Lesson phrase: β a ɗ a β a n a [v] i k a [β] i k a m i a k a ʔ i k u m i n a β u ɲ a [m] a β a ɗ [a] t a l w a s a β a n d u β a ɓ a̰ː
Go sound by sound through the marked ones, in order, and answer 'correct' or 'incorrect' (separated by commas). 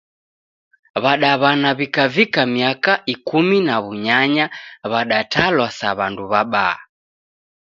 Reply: incorrect, incorrect, incorrect, correct